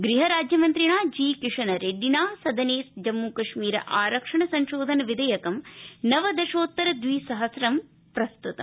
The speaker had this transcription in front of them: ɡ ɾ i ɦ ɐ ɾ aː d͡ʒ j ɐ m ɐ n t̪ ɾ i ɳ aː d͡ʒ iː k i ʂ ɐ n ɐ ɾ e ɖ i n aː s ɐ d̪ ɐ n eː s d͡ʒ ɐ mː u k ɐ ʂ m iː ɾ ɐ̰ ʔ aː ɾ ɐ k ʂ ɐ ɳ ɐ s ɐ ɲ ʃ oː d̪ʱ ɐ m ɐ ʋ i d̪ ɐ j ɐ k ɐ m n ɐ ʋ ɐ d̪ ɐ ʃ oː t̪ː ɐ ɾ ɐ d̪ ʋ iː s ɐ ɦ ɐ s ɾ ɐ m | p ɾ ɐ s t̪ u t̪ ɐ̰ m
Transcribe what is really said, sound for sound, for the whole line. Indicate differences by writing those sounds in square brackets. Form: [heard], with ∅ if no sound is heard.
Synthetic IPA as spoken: ɡ ɾ i ɦ ɐ ɾ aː d͡ʒ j ɐ m ɐ n t̪ ɾ i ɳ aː d͡ʒ iː k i ʂ ɐ n ɐ ɾ e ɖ i n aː s ɐ d̪ ɐ n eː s d͡ʒ ɐ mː u k ɐ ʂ m iː ɾ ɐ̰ ʔ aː ɾ ɐ k ʂ ɐ ɳ ɐ s ɐ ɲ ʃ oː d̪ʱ ɐ [n] ɐ ʋ i d̪ ɐ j ɐ k ɐ m n ɐ ʋ ɐ d̪ ɐ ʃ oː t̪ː ɐ ɾ ɐ d̪ ʋ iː s ɐ ɦ ɐ s ɾ ɐ m | p ɾ ɐ s t̪ u t̪ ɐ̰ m